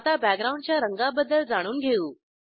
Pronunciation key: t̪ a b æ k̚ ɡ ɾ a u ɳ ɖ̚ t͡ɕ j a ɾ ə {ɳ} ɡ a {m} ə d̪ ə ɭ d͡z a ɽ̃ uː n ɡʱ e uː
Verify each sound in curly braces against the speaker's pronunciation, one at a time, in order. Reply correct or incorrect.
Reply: incorrect, incorrect

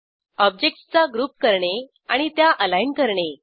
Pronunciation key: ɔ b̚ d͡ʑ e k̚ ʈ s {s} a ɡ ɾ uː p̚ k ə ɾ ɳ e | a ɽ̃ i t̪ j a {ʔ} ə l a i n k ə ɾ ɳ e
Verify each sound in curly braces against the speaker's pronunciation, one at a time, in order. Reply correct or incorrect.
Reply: incorrect, correct

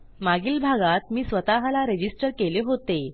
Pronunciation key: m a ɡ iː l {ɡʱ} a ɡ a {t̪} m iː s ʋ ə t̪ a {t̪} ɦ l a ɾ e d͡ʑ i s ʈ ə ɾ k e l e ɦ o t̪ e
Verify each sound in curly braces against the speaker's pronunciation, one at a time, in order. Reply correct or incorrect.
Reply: incorrect, correct, incorrect

